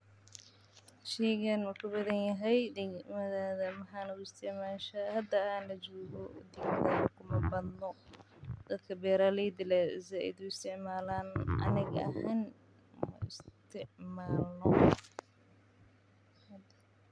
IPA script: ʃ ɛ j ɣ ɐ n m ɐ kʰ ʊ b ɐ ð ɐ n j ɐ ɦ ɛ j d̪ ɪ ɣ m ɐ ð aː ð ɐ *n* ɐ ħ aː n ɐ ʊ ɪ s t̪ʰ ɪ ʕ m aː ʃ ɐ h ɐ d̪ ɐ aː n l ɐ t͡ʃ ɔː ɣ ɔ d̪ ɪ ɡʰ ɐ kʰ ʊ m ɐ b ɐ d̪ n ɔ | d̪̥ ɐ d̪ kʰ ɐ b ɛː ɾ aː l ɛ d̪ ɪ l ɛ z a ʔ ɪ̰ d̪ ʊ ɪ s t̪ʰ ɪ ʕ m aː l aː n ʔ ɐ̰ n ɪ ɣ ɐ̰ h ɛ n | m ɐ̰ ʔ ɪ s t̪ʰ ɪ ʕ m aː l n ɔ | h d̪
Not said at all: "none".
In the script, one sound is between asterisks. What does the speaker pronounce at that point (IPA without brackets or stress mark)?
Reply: m